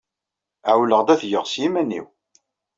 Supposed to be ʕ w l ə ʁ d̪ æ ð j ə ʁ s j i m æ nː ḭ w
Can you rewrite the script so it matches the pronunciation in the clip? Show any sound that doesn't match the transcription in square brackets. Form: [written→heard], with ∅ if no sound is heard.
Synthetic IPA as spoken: ʕ w l ə ʁ d̪ æ [ð→θ] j ə ʁ s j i m æ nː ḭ w